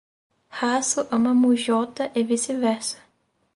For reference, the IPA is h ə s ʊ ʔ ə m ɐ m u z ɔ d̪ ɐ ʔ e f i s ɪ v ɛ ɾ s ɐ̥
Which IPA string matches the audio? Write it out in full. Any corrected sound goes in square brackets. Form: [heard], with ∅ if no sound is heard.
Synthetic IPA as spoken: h [a] s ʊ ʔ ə m ɐ m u [ʒ] ɔ [t̪] ɐ ʔ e [v] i s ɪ v ɛ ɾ s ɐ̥